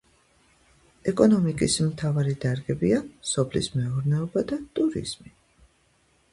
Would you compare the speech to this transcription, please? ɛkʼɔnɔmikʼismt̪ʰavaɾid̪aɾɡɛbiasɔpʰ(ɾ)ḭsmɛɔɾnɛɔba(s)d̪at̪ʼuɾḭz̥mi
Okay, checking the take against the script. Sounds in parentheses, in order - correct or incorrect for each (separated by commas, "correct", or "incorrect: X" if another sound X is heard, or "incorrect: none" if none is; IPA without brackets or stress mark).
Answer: incorrect: l, incorrect: none